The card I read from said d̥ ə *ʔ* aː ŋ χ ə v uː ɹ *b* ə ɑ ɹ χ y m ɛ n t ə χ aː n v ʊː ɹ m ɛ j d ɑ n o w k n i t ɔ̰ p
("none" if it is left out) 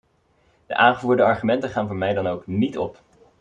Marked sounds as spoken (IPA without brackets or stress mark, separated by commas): ʔ, d